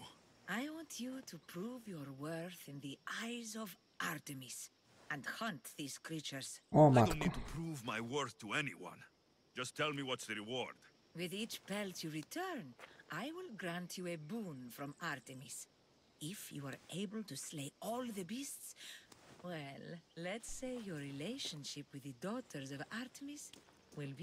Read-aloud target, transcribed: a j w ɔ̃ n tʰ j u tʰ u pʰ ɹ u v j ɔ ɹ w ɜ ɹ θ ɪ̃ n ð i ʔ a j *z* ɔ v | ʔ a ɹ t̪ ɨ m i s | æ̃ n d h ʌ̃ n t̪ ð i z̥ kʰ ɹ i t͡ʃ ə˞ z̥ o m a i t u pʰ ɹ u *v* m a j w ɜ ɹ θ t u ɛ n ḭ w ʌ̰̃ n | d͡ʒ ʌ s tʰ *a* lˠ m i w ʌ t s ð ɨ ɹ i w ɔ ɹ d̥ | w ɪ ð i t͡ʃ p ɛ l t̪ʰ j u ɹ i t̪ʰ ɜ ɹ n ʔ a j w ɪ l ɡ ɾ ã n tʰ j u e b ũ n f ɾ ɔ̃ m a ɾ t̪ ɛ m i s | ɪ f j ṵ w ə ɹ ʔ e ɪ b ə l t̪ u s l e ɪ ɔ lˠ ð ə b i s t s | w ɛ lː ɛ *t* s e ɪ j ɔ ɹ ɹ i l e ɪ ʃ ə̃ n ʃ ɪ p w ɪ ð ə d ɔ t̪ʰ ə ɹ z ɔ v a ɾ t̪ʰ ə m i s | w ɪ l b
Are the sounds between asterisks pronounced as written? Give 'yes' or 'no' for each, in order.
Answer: yes, yes, no, yes

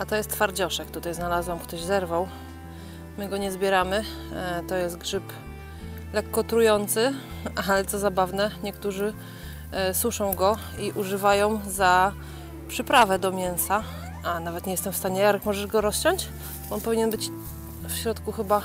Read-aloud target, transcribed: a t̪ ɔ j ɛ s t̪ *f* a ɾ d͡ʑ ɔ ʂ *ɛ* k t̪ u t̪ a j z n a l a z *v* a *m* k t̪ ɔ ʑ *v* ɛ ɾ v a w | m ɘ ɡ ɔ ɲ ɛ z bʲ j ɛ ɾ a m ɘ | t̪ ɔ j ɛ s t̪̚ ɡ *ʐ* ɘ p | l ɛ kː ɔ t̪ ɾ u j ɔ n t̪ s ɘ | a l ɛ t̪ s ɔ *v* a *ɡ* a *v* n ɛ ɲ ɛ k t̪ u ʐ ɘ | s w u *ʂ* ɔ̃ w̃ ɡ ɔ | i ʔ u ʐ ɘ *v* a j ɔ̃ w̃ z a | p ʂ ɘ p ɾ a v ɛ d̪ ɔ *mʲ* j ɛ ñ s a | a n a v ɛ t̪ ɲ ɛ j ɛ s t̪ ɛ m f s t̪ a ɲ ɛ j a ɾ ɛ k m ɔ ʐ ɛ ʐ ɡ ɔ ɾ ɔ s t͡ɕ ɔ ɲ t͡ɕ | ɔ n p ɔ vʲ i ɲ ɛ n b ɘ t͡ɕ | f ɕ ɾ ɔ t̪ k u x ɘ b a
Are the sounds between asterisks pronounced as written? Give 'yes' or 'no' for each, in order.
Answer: yes, yes, no, yes, no, yes, no, no, yes, yes, yes, yes

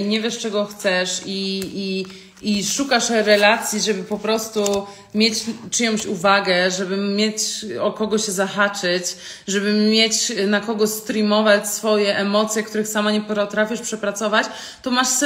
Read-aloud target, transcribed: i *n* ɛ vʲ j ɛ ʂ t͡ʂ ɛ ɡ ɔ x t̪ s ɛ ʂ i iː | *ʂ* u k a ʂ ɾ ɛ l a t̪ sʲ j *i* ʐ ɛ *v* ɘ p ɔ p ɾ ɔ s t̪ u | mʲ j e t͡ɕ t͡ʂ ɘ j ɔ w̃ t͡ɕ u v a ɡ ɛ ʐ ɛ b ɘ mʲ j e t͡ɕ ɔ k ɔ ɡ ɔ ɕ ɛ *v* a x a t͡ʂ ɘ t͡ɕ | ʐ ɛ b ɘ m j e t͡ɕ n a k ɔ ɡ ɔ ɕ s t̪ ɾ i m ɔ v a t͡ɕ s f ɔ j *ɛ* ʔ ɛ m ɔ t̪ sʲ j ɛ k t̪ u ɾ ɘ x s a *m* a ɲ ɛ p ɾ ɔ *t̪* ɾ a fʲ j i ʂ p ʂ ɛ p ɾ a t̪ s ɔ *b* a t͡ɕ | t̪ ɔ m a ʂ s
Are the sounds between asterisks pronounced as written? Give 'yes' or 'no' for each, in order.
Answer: no, yes, yes, no, no, yes, yes, yes, no

